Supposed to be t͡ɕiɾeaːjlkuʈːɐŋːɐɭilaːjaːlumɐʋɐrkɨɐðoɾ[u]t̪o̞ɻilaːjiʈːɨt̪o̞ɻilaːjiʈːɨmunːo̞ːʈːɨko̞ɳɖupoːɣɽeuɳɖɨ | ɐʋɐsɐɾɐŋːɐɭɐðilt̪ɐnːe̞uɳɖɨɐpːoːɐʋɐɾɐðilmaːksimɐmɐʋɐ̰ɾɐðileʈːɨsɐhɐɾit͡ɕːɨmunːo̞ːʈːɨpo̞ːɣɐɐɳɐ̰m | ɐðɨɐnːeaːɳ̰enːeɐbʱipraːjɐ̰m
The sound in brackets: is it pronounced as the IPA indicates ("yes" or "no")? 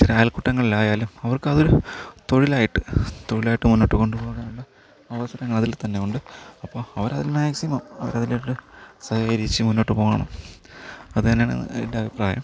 yes